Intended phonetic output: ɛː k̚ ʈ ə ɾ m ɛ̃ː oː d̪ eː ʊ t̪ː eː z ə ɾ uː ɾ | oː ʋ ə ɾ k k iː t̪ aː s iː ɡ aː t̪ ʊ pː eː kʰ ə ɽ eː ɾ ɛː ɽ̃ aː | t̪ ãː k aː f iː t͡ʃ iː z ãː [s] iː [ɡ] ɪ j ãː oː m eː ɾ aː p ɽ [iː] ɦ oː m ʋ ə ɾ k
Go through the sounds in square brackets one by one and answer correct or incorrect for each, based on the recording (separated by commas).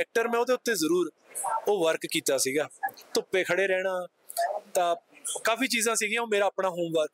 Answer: correct, correct, incorrect